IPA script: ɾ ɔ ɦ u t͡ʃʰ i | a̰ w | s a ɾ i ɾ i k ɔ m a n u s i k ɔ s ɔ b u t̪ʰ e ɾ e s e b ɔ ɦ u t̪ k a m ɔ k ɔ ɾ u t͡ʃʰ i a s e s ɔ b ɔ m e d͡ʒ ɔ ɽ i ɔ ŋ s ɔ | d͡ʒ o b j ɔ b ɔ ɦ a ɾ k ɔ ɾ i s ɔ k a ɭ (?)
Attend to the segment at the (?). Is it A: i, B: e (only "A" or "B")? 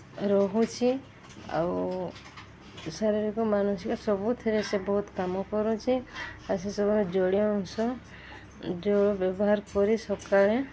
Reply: B